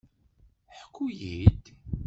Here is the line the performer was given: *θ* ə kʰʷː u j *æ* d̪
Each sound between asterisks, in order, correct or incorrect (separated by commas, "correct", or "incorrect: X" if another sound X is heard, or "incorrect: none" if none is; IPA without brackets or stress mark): incorrect: ħ, incorrect: i